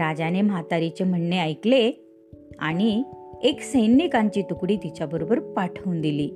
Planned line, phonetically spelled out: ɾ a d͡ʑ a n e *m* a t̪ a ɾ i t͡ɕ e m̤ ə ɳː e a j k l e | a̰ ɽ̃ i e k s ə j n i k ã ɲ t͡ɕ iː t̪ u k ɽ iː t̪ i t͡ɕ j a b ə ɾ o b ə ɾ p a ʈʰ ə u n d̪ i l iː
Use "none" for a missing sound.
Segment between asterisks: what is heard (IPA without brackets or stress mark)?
m